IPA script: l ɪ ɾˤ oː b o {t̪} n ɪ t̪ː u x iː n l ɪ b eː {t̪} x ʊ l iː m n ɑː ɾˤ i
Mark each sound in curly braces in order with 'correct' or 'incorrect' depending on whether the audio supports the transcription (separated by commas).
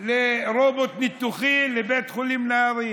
correct, correct